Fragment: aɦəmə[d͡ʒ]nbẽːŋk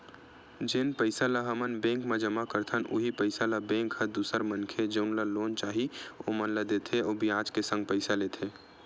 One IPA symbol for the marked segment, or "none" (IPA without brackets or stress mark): none